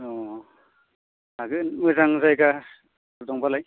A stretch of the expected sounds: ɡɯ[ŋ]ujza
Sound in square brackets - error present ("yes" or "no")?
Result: yes